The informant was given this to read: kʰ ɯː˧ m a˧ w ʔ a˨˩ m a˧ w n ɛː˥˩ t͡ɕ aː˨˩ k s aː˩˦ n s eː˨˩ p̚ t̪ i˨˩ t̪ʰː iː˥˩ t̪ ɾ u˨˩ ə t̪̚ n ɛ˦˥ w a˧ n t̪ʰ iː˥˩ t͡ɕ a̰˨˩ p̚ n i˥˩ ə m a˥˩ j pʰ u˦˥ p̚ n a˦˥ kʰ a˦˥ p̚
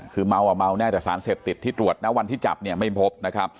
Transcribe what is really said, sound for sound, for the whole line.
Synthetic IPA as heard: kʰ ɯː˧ m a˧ w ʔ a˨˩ m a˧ w n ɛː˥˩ t͡ɕ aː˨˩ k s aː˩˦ n s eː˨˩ p̚ t̪ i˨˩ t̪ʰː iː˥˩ t̪ ɾ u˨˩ ə t̪̚ n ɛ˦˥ w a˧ n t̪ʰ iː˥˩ t͡ɕ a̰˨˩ p̚ n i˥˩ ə m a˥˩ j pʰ o˦˥ p̚ n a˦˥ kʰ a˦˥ p̚